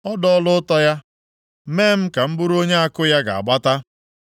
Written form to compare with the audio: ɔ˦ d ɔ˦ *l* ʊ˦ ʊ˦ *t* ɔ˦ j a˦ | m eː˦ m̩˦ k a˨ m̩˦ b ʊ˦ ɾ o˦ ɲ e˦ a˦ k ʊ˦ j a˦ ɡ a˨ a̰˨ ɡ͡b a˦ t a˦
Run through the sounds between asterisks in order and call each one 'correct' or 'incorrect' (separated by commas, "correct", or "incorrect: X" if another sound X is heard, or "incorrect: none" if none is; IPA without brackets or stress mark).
correct, correct